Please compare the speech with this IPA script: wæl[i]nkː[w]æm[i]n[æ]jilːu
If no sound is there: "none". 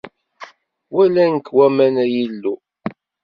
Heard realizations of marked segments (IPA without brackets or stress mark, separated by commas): æ, w, æ, æ